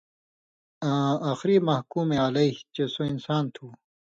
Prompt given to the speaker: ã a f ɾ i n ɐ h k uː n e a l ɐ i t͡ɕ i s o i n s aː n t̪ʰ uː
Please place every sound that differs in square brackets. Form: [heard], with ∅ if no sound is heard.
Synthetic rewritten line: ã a [x] ɾ i [m] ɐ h k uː [m] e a l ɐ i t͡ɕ [e] s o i n s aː n t̪ʰ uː